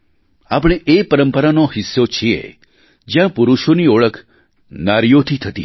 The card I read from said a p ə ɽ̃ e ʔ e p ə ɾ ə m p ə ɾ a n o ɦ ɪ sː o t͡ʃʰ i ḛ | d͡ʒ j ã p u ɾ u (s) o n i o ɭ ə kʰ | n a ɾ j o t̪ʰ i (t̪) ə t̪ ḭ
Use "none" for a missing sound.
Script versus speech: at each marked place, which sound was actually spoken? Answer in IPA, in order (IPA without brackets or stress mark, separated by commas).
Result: ʃ, t̪ʰ